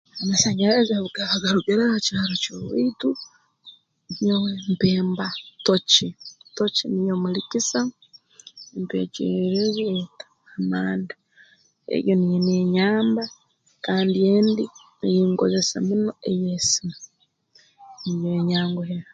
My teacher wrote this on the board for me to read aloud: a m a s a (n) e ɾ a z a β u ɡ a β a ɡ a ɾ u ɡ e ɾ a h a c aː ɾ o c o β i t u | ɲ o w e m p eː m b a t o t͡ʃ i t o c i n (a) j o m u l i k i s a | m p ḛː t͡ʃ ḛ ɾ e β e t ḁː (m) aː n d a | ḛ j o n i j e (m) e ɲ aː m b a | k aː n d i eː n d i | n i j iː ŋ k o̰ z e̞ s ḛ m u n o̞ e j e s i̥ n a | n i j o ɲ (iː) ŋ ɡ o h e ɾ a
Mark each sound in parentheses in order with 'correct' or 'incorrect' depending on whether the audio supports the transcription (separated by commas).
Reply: incorrect, incorrect, correct, incorrect, incorrect